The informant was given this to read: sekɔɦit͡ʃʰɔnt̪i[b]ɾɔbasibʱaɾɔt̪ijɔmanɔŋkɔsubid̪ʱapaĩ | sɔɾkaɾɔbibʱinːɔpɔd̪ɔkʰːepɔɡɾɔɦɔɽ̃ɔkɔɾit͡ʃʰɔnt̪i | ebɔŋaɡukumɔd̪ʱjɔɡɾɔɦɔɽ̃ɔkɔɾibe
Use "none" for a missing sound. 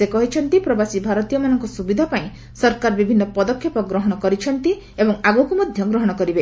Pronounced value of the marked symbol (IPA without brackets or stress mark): p